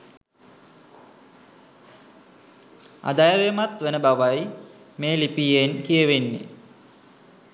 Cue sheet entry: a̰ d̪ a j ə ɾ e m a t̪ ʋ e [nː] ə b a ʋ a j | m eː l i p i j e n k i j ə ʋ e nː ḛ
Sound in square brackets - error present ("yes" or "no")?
yes